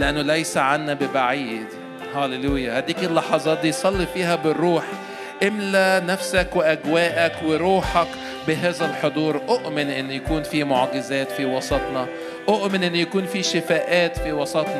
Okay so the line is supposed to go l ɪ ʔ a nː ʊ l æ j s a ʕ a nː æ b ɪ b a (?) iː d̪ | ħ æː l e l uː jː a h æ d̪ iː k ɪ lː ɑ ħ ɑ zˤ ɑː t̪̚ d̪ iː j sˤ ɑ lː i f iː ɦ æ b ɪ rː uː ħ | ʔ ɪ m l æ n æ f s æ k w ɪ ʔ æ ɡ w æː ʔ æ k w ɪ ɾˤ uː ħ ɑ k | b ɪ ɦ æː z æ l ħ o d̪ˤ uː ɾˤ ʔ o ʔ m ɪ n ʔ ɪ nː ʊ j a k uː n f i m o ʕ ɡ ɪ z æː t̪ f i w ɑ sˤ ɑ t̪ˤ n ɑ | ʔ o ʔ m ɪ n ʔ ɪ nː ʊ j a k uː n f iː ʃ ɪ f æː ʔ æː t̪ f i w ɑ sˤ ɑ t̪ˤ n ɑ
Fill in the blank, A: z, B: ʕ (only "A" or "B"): B